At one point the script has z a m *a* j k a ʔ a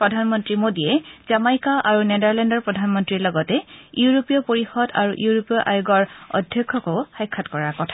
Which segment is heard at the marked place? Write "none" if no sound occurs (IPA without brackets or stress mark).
a